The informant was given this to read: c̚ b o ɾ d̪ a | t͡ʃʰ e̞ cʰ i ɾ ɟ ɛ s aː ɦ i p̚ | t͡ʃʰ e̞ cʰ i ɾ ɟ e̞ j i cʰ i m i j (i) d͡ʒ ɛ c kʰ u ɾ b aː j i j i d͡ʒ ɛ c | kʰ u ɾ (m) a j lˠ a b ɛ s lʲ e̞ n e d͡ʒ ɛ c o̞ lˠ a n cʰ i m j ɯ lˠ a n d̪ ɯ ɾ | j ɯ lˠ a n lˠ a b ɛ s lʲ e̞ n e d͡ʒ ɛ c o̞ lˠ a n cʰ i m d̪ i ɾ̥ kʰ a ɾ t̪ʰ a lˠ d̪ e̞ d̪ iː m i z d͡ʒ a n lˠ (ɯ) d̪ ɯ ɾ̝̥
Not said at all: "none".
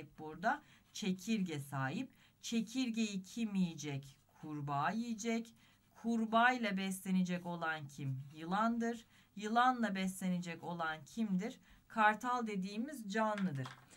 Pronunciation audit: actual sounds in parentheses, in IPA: i, b, ɯ

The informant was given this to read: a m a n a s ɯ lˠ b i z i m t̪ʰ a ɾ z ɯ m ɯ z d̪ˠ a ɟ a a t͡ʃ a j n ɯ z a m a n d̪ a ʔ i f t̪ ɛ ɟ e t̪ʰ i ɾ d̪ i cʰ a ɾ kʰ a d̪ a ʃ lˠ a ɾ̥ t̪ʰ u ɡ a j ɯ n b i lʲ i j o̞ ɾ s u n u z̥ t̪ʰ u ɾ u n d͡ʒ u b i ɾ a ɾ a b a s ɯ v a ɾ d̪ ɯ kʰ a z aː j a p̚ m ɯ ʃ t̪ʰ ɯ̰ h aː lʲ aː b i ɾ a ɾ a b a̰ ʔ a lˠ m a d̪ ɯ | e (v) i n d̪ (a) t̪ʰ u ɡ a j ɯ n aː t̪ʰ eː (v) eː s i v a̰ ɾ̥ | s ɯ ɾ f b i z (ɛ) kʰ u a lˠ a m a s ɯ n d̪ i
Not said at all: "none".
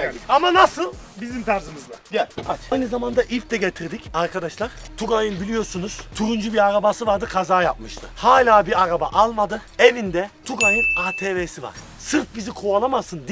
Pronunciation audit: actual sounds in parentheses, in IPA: v, ɛ, v, i

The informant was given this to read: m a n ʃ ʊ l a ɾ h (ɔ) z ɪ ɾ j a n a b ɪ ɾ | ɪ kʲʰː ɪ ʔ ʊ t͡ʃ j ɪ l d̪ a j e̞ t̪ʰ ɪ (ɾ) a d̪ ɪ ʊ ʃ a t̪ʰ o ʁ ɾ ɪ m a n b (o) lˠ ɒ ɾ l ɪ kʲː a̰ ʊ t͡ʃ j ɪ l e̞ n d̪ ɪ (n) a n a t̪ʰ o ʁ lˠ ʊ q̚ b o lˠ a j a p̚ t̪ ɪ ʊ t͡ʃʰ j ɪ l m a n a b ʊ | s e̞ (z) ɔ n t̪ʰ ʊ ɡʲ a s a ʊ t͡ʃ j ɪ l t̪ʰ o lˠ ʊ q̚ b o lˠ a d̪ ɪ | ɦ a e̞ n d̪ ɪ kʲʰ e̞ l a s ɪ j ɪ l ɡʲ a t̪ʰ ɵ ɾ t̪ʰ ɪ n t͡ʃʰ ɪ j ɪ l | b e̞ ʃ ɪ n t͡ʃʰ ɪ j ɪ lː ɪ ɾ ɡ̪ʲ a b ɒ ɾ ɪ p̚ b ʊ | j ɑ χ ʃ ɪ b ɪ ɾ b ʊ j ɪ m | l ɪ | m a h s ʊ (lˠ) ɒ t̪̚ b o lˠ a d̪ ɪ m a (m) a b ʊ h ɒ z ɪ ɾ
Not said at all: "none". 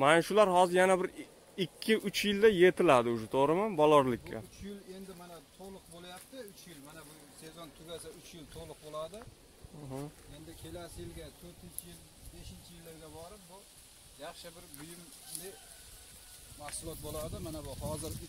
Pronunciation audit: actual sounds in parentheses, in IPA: ɒ, l, ɒ, m, z, lˠ, n

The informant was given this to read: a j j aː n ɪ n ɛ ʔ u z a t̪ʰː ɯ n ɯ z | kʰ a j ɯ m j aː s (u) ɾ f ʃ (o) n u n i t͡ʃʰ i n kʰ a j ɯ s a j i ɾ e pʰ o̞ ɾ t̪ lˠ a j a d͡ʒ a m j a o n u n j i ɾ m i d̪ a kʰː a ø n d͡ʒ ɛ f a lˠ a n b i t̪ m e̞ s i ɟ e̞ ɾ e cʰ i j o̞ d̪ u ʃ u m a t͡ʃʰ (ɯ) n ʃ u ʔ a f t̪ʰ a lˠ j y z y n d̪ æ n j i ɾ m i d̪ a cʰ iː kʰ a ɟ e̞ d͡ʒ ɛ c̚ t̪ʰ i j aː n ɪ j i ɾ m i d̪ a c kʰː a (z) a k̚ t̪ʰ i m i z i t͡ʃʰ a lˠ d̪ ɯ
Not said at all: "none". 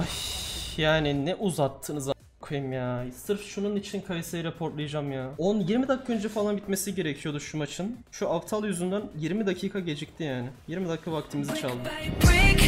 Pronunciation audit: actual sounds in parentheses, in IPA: ɯ, u, ɯ, v

